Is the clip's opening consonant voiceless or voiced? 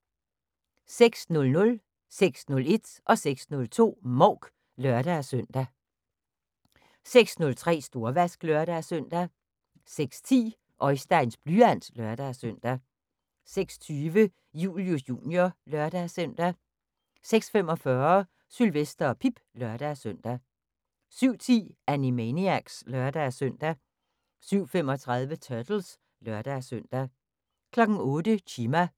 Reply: voiceless